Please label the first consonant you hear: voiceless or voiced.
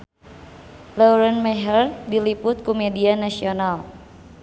voiced